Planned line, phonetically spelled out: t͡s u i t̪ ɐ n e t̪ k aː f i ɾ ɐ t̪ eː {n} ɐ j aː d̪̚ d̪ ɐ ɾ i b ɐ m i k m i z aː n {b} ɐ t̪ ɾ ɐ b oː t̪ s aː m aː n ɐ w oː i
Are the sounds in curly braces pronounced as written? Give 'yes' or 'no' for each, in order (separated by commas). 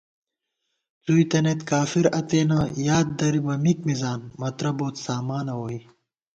yes, no